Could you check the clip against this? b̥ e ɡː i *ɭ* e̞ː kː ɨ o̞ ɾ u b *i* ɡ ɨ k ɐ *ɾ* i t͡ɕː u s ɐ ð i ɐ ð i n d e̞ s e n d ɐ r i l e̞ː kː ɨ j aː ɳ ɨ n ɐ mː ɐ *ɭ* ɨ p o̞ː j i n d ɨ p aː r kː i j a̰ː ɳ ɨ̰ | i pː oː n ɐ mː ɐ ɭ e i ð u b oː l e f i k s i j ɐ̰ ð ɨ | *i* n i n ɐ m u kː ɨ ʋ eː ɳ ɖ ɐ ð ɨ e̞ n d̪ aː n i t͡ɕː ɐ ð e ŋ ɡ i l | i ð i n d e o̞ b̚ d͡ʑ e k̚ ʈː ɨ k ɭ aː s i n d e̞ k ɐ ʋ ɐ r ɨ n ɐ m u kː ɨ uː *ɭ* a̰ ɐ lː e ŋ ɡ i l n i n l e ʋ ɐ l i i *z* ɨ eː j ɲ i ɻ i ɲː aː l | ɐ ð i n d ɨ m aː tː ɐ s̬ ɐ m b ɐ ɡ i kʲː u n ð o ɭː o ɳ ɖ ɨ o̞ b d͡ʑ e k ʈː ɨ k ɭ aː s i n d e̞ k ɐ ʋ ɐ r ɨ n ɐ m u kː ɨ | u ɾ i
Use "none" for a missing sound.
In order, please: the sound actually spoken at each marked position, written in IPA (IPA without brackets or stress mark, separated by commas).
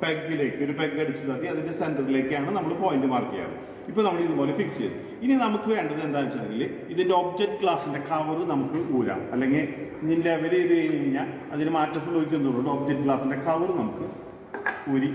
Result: l, e, ɽ, ɭ, i, ɾ, ð